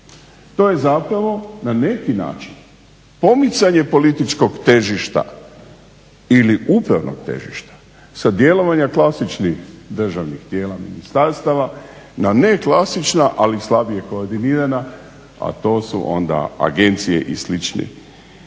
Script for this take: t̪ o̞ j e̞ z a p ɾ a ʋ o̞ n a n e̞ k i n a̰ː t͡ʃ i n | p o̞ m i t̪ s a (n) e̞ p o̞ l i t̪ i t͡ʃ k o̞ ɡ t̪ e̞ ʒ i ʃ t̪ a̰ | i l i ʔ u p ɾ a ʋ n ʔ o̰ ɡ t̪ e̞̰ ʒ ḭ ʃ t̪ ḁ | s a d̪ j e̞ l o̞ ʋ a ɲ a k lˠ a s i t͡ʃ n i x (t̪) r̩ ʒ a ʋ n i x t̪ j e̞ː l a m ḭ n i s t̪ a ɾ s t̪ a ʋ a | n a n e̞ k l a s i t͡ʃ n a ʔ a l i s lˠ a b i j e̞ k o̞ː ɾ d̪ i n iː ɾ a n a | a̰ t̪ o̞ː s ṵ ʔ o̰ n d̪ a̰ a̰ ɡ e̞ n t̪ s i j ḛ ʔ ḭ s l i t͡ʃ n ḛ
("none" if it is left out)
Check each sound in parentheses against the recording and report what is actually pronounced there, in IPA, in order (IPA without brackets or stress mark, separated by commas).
ɲ, d̪